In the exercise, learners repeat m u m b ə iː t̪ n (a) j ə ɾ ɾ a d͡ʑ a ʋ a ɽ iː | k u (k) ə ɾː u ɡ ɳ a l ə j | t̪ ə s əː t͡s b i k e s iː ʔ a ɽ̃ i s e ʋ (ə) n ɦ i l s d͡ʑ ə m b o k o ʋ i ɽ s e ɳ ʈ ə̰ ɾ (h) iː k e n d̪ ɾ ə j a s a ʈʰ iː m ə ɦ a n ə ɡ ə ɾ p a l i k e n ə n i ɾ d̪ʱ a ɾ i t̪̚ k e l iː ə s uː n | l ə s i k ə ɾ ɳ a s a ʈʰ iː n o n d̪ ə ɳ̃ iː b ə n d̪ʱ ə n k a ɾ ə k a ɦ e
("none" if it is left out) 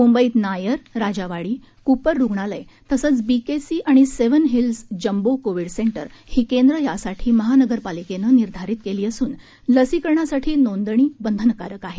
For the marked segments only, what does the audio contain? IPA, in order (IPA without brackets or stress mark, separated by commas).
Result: a, p, ə, h